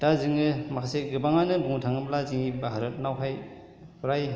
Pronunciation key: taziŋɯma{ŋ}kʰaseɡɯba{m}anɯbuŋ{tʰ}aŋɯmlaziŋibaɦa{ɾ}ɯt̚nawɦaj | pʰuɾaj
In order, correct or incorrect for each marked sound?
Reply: incorrect: none, incorrect: ŋ, correct, correct

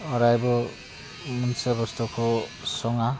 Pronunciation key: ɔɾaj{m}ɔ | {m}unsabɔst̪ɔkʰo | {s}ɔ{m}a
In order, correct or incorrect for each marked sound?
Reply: incorrect: b, correct, correct, incorrect: ŋ

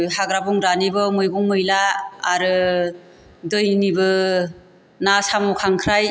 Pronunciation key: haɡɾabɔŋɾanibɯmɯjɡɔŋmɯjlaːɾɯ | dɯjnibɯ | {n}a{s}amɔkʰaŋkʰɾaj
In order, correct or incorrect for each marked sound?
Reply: correct, correct

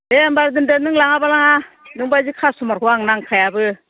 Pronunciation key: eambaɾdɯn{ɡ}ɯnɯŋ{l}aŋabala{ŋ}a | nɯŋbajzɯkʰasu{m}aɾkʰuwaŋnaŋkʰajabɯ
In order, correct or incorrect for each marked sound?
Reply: incorrect: d, correct, correct, correct

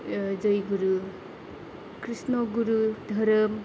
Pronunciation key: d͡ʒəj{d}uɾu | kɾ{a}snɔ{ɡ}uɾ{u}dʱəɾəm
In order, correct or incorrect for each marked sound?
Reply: incorrect: ɡ, incorrect: i, correct, correct

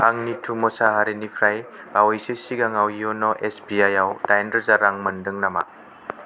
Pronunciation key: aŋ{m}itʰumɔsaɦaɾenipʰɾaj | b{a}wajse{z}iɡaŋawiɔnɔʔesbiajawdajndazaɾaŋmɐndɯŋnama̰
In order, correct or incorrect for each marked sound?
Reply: incorrect: n, correct, incorrect: s

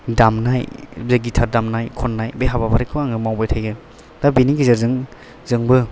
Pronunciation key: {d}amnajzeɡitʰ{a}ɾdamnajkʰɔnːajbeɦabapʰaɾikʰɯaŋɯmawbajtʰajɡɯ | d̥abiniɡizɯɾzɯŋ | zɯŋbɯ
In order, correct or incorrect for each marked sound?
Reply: correct, correct

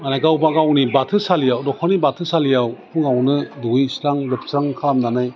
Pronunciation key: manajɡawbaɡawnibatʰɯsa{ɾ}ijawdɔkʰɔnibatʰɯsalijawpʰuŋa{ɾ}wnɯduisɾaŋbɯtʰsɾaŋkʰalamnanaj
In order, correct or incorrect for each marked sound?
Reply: incorrect: l, incorrect: none

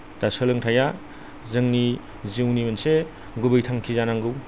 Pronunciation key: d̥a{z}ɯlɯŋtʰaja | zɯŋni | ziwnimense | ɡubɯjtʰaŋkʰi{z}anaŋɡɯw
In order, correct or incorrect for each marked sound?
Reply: incorrect: s, correct

